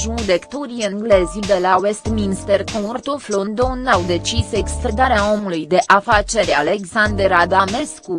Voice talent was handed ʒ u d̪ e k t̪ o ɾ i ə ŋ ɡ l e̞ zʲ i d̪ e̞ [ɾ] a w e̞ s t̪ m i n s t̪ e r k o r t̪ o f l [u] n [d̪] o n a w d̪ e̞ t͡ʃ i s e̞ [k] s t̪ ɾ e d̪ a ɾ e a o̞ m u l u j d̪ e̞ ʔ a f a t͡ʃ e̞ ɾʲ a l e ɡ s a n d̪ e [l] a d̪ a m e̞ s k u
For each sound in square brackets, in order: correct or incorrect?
incorrect: l, incorrect: o, correct, correct, incorrect: ɾ

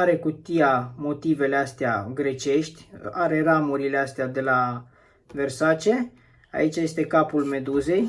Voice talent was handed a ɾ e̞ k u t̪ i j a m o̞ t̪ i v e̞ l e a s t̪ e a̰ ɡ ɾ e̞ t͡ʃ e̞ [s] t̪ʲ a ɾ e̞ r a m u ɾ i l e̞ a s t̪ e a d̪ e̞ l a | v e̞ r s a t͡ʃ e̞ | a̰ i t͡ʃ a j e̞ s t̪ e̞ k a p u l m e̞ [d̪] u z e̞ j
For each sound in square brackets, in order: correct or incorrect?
incorrect: ʃ, correct

